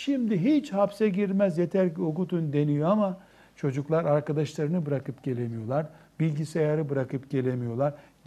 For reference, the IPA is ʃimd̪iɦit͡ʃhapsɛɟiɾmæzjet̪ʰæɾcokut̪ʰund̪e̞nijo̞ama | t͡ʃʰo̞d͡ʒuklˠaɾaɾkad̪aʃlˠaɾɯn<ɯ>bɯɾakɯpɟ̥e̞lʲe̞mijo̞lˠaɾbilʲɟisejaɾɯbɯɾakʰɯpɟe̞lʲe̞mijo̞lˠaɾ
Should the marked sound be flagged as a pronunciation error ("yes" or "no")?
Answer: no